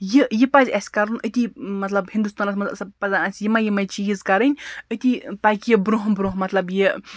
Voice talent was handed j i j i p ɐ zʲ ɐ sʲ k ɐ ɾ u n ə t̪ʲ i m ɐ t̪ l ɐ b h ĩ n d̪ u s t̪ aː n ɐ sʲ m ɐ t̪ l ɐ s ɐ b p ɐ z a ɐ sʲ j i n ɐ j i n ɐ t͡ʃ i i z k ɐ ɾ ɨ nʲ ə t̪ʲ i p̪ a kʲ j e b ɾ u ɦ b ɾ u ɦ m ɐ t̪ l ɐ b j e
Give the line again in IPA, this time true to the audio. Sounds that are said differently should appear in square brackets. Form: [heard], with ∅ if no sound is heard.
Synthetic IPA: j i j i p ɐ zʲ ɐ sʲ k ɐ ɾ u n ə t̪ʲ i m ɐ t̪ l ɐ b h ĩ n d̪ u s t̪ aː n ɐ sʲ m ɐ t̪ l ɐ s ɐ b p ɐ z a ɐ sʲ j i [m] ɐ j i [m] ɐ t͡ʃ i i z k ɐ ɾ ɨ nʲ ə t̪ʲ i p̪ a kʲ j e b ɾ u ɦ b ɾ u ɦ m ɐ t̪ l ɐ b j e